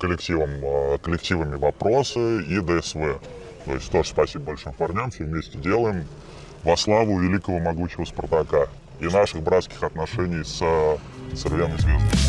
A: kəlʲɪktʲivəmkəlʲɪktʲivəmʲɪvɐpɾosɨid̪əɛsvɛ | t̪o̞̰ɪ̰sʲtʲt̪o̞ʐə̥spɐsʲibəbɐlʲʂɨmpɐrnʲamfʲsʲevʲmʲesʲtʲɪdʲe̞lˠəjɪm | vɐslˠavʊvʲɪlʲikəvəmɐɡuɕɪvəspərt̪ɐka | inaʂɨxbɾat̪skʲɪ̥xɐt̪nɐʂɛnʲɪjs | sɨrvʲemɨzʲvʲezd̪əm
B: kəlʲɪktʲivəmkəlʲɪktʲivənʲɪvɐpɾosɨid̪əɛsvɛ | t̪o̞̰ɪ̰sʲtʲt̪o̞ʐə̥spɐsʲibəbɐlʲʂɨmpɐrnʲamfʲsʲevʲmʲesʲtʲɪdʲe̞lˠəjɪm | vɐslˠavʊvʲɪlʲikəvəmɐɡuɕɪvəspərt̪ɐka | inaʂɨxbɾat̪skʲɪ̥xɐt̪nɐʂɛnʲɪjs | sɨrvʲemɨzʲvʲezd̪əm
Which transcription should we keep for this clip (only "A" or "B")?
A